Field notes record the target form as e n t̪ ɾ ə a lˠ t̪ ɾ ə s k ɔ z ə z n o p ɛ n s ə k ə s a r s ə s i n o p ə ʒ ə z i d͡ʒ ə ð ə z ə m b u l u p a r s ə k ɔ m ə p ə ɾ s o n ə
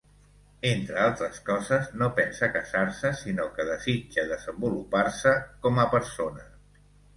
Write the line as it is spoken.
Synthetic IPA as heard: e n t̪ ɾ ə a lˠ t̪ ɾ ə s k ɔ z ə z n o p ɛ n s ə k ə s a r s ə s i n o k ə ð ə z i d͡ʒ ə ð ə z ə m b u l u p a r s ə k ɔ m ə p ə ɾ s o n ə